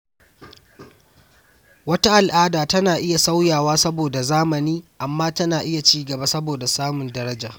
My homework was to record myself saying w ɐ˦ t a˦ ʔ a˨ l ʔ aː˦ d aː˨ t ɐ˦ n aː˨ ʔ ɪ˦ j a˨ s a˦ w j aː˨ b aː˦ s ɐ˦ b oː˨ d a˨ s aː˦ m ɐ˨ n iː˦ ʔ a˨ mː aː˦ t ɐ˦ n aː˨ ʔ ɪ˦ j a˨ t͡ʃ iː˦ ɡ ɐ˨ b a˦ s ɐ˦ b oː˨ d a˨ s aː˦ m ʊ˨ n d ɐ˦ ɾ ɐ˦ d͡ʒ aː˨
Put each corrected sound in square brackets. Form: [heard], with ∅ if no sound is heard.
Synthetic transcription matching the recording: w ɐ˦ t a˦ ʔ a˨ l ʔ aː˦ d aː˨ t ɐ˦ n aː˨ ʔ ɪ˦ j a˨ s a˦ w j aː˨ [w] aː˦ s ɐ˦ b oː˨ d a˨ [z] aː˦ m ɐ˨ n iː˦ ʔ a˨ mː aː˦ t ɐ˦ n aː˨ ʔ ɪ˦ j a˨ t͡ʃ iː˦ ɡ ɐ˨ b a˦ s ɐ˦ b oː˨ d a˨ s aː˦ m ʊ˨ n d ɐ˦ ɾ ɐ˦ d͡ʒ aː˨

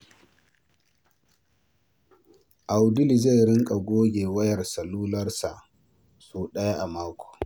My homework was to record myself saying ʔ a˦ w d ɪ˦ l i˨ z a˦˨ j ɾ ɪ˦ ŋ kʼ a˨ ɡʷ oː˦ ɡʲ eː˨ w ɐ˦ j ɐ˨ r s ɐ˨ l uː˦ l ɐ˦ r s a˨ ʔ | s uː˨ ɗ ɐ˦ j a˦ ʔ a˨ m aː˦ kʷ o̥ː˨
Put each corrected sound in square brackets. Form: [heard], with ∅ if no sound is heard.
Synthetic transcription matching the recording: ʔ [a˨] w d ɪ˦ l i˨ z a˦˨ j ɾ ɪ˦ ŋ kʼ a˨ ɡʷ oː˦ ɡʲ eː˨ w ɐ˦ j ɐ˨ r s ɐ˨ l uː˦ l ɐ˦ r s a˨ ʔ | s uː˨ ɗ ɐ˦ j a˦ ʔ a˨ m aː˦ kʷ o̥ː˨

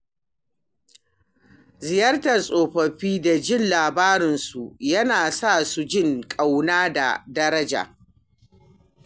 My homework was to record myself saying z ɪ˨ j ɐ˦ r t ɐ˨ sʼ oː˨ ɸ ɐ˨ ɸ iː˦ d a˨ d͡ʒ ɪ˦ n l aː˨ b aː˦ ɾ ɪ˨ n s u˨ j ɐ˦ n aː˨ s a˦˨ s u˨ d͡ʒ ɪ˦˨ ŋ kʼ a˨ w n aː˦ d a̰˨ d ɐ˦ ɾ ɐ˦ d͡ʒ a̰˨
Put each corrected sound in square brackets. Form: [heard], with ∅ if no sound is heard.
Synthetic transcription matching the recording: z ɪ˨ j ɐ˦ r t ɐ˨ sʼ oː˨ ɸ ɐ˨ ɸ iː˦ d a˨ d͡ʒ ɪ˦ n l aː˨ b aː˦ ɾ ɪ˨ n s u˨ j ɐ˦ n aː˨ s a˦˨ s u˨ d͡ʒ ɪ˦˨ ŋ kʼ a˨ w n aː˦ d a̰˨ d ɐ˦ ɾ ɐ˦ d͡ʒ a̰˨

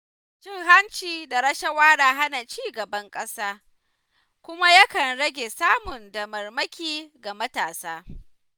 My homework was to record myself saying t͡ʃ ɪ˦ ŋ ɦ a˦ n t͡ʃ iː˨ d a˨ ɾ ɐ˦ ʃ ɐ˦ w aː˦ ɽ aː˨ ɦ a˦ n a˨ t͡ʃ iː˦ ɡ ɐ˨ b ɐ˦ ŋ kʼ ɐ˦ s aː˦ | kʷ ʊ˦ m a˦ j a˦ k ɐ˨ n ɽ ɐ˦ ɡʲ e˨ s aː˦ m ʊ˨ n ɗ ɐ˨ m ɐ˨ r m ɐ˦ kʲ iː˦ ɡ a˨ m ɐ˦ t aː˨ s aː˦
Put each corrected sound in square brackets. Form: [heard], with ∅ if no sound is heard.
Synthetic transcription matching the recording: t͡ʃ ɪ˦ ŋ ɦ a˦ n t͡ʃ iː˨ d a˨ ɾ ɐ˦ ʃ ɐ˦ w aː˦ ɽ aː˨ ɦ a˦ n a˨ t͡ʃ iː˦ ɡ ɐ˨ b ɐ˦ ŋ kʼ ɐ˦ s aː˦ | kʷ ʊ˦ m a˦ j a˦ k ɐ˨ n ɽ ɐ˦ ɡʲ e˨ s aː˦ m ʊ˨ n [d] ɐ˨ m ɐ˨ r m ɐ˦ kʲ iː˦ ɡ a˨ m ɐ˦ t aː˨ s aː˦

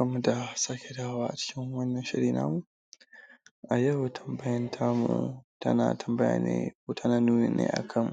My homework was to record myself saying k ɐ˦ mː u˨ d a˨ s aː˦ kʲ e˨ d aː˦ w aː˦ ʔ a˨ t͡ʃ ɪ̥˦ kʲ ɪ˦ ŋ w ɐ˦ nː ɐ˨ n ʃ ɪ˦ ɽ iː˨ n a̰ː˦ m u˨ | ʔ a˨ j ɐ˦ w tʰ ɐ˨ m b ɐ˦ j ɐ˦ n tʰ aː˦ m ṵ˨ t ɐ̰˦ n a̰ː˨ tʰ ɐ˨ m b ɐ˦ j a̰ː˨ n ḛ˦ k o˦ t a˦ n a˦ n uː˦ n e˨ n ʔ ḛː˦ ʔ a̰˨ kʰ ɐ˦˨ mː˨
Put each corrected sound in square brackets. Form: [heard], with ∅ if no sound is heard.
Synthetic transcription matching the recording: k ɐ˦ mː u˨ d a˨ s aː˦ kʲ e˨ d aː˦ w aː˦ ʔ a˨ t͡ʃ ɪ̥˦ kʲ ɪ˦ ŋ w ɐ˦ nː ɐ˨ n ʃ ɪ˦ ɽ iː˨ n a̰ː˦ m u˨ | ʔ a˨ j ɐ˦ w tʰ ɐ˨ m b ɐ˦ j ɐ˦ n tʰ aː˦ m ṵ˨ t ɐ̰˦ n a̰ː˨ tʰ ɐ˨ m b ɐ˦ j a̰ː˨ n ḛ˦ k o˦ t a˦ n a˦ n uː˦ n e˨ n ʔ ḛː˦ ʔ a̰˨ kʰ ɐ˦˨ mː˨

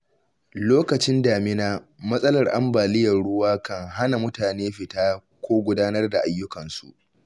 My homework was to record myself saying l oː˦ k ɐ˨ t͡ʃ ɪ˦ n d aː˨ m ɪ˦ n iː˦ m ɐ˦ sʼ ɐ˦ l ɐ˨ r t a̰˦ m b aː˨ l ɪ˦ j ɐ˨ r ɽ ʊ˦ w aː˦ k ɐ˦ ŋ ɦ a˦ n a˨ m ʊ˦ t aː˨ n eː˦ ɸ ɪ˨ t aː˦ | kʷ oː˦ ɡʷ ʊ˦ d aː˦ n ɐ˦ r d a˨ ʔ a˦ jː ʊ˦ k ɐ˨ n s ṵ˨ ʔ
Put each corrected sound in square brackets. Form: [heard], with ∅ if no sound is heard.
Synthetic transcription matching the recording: l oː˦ k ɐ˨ t͡ʃ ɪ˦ n d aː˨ m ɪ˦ n [aː˦] m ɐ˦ sʼ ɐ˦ l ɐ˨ r [ʔ] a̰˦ m b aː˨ l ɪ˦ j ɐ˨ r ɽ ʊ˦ w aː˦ k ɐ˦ ŋ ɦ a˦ n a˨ m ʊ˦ t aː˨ n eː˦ ɸ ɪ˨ t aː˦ | kʷ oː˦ ɡʷ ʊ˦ d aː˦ n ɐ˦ r d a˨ ʔ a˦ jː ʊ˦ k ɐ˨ n s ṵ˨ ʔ

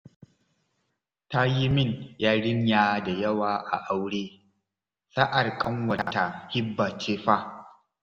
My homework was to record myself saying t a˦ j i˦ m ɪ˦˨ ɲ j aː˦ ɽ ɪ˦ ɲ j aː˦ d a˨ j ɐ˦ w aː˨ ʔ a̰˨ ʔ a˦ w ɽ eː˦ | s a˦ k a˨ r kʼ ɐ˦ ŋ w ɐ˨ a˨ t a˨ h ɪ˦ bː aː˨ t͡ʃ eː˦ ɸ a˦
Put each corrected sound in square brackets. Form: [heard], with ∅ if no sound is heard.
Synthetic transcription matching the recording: t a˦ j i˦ m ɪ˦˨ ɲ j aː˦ ɽ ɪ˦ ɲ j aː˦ d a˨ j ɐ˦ w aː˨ ʔ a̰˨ ʔ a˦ w ɽ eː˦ | s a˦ [ʔ] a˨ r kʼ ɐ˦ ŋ w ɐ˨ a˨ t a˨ h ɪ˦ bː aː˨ t͡ʃ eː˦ ɸ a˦

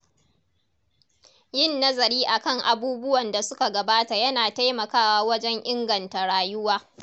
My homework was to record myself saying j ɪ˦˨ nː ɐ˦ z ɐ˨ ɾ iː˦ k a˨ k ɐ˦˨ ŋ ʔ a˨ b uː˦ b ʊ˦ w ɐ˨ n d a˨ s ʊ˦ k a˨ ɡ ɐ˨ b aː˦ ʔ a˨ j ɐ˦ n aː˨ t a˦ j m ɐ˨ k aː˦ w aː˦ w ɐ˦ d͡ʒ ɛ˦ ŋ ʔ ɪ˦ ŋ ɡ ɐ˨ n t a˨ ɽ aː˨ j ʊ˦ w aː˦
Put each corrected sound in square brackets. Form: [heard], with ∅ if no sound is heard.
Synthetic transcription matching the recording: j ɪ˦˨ nː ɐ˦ z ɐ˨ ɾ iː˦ [ʔ] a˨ k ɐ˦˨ ŋ ʔ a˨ b uː˦ b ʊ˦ w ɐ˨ n d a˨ s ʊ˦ k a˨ ɡ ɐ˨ b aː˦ [t] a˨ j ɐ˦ n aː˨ t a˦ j m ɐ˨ k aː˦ w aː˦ w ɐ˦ d͡ʒ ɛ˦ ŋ ʔ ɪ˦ ŋ ɡ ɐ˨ n t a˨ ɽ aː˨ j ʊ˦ w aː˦

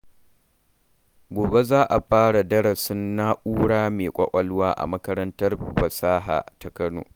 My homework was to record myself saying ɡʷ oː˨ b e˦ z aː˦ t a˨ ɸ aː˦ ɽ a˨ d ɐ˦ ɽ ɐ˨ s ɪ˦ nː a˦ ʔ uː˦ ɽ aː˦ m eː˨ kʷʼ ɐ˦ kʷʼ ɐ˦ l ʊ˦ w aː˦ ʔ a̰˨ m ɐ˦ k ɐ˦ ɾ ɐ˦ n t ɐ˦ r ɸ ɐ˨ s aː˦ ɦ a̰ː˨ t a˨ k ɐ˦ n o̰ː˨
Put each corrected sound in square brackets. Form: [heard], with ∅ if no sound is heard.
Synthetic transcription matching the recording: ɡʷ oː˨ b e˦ z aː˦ [ʔ] a˨ ɸ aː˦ ɽ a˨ d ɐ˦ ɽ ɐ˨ s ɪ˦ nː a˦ ʔ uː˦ ɽ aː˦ m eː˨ kʷʼ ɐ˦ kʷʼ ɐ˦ l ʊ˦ w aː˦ ʔ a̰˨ m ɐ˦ k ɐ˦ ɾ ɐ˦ n t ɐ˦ r ɸ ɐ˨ s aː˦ ɦ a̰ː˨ t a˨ k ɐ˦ n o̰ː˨

